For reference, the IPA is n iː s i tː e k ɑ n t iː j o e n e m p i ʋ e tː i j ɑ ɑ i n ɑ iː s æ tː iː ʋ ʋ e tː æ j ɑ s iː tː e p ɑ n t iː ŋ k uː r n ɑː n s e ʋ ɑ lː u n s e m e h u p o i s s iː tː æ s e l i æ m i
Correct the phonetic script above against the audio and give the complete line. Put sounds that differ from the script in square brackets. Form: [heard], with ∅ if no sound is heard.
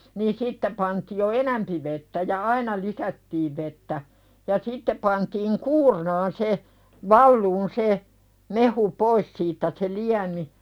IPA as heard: n iː s i tː e [p] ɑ n t iː j o e n [æ] m p i ʋ e tː [æ] j ɑ ɑ i n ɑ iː s æ tː iː ʋ ʋ e tː æ j ɑ s [i] tː e p ɑ n t iː ŋ k uː r n ɑː n s e ʋ ɑ lː [uː] n s e m e h u p o i s s iː tː æ s e l i æ m i

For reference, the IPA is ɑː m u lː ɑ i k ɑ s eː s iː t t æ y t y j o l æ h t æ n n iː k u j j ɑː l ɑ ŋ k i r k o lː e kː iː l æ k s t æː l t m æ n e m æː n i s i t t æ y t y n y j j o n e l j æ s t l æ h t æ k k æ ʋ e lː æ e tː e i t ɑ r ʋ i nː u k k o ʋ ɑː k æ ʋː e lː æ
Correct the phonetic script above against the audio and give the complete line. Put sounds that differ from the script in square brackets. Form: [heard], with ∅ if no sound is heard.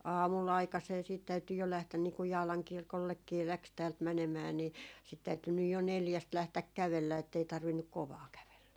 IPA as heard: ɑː m u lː ɑ i k ɑ s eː s iː t t æ y t y j o l æ h t æ n n iː k u j j ɑː l ɑ ŋ k i r k o lː e kː iː l æ k s t æː l t m æ n e m æː n i s i t t æ y t y n y j j o n e l j æ s t l æ h t æ k k æ ʋ e lː æ e tː e i t ɑ r ʋ i nː u k k o ʋ ɑː k æ [ʋ] e lː æ

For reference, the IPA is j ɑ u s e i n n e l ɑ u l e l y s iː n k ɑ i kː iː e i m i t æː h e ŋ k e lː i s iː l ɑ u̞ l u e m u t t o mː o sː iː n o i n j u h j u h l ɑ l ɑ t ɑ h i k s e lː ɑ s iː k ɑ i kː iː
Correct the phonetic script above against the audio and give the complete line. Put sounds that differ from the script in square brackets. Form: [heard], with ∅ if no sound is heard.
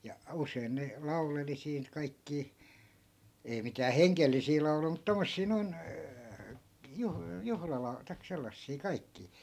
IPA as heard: j ɑ u s e i n n e l ɑ u l e l [i] s iː n k ɑ i kː iː e i m i t æː h e ŋ k e lː i s iː l ɑ u̞ l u [i] m u t t o mː o sː iː n o i n j u h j u h l ɑ l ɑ t ɑ [∅] i k s e lː ɑ [sː] iː k ɑ i kː iː

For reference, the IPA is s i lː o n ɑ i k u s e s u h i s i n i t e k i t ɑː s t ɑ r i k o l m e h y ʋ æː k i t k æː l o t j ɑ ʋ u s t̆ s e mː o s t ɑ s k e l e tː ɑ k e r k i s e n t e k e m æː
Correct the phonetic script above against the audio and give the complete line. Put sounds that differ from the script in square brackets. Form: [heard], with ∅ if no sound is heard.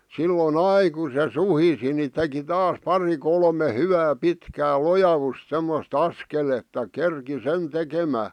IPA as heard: s i lː o n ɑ i k u s e s u h i s i n i t e k i t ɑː s [p] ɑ r i k o l m e h y ʋ æː [p] i t k æː l o [∅] j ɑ ʋ u s t̆ s e mː o s t ɑ s k e l e tː ɑ k e r k i s e n t e k e m æː

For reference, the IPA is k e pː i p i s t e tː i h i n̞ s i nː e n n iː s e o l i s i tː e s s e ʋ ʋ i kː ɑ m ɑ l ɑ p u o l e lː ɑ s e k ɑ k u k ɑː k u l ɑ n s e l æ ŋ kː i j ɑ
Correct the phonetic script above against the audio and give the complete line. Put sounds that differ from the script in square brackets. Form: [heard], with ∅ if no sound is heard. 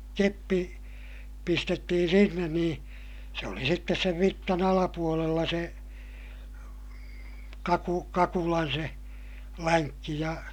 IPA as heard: k e pː i p i s t e tː i h i n̞ s i nː e n n iː s e o l i s i tː e s s e ʋ ʋ i [tː] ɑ [n] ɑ l ɑ p u o l e lː ɑ s e k ɑ k u k [ɑ] k u l ɑ n s e l æ ŋ kː i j ɑ

